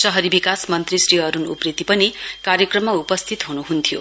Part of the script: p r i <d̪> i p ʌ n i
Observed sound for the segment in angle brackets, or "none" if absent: t̪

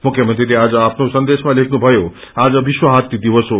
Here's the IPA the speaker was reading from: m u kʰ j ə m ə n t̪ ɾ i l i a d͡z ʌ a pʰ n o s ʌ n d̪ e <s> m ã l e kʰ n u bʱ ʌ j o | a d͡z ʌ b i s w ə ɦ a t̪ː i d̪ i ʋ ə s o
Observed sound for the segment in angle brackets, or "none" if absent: s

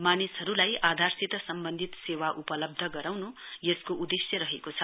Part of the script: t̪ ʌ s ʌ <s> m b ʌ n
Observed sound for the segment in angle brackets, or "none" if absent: none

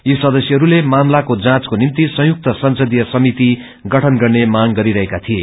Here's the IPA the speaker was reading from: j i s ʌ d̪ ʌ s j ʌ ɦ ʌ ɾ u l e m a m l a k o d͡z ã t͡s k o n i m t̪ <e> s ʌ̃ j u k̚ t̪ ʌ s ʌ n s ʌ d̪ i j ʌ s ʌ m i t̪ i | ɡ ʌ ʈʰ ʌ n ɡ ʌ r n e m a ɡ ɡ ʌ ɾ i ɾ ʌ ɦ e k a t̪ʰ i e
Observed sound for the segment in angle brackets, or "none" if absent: i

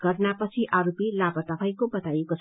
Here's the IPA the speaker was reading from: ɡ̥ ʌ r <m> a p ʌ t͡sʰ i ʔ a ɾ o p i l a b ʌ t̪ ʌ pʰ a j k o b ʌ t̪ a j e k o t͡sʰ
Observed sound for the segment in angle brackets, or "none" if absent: n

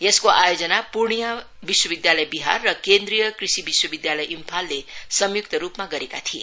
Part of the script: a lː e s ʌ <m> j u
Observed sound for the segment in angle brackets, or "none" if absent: m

